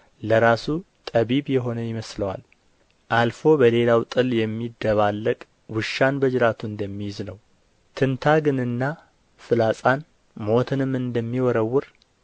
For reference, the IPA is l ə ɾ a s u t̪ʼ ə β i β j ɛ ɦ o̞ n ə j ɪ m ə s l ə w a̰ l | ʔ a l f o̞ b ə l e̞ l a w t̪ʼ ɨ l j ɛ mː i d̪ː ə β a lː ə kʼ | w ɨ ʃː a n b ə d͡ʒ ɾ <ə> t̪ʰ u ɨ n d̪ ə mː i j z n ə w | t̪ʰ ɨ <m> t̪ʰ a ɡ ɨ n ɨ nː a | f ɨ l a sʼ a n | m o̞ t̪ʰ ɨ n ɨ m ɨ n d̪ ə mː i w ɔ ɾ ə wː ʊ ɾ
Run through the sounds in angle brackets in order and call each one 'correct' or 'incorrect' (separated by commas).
incorrect, incorrect